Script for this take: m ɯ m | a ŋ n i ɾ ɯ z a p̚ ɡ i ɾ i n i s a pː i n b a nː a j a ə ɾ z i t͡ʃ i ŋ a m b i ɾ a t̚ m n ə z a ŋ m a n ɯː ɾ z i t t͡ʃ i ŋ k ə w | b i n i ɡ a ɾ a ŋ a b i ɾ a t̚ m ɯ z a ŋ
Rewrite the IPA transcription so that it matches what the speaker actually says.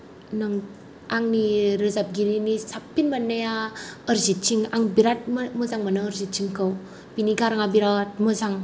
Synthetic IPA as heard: n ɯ ŋ | a ŋ n i ɾ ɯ z a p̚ ɡ i ɾ i n i s a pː i n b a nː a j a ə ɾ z i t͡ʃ i ŋ a ŋ b i ɾ a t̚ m m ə z a ŋ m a n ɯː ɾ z i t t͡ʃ i ŋ k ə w | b i n i ɡ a ɾ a ŋ a b i ɾ a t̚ m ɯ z a ŋ